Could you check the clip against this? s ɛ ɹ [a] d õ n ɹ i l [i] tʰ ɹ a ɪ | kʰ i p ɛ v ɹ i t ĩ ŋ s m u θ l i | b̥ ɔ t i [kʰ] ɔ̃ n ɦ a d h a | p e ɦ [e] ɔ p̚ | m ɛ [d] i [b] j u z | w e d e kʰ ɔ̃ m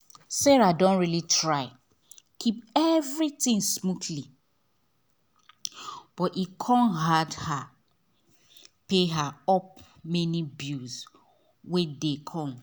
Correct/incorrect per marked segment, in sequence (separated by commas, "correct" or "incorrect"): correct, correct, correct, incorrect, incorrect, correct